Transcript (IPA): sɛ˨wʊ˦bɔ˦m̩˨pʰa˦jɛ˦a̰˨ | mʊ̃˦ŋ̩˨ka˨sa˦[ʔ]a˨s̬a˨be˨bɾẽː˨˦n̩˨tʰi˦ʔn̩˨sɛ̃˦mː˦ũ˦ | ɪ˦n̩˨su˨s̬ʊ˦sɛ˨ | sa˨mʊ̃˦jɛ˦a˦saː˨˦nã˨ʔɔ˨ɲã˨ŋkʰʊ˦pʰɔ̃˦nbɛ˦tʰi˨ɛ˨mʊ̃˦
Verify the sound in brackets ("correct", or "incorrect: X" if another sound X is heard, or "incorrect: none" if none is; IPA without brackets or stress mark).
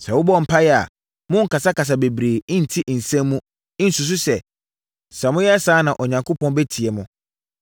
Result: incorrect: k